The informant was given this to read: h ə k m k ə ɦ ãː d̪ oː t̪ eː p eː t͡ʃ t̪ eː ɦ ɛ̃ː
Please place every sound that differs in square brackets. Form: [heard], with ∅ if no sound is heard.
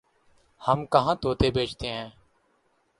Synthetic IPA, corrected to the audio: h ə [∅] m k ə ɦ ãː [t̪] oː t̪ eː [b] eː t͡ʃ t̪ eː ɦ ɛ̃ː